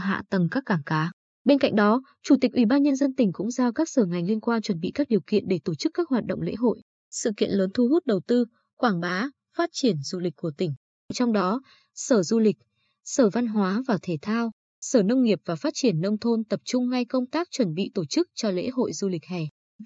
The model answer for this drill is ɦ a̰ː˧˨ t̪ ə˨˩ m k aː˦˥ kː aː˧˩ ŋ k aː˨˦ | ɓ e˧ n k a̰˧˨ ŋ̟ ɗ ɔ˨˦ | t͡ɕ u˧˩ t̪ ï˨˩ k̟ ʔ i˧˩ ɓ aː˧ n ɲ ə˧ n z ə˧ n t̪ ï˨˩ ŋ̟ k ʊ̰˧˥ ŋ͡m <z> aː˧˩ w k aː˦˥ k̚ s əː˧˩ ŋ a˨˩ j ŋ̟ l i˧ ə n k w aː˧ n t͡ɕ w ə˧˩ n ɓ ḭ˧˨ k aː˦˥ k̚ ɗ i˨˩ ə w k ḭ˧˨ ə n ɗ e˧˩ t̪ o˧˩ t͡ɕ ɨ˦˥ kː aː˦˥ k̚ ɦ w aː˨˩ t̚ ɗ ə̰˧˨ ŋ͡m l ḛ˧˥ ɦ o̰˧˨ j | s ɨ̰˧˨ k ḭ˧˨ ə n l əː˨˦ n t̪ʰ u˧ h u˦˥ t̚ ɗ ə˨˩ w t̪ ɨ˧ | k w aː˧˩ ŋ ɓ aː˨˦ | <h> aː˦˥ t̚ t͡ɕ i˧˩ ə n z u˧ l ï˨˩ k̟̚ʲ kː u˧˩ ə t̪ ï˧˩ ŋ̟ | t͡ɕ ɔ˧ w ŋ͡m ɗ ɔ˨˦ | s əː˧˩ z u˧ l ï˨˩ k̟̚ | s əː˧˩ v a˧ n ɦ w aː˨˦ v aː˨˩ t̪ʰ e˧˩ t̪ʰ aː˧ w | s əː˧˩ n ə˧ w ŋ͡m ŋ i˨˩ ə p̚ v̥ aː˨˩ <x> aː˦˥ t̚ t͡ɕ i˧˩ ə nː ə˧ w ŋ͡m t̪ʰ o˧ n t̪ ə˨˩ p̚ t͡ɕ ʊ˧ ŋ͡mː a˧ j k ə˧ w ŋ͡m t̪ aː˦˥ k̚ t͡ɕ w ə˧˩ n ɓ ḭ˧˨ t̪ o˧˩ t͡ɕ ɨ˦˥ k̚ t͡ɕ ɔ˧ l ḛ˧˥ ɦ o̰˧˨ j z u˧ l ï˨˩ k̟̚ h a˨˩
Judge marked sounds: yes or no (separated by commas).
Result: yes, no, no